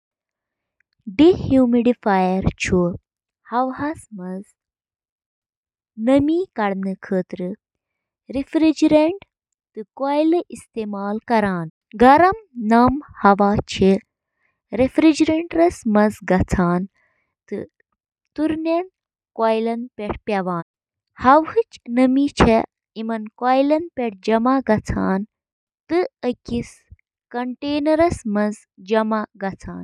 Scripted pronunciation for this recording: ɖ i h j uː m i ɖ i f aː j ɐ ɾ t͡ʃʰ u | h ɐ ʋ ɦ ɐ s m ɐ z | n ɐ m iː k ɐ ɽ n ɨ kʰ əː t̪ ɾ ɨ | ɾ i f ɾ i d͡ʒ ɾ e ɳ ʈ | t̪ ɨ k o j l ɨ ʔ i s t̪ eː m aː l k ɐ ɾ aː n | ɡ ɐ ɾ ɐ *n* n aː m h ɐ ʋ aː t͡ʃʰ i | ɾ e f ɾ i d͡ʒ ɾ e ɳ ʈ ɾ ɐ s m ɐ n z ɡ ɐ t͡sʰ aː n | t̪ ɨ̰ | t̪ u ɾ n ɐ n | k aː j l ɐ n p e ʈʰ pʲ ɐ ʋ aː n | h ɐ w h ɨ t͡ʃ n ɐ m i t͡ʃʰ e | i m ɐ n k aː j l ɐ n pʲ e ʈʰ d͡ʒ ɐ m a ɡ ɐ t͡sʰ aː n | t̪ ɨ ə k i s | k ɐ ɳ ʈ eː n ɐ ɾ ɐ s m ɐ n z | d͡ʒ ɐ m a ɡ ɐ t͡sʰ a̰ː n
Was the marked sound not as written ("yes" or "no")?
yes